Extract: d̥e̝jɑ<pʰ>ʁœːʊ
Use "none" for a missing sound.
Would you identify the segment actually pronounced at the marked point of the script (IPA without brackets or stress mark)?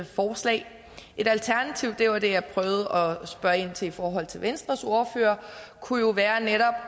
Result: pʰ